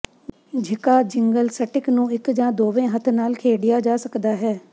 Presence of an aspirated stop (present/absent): present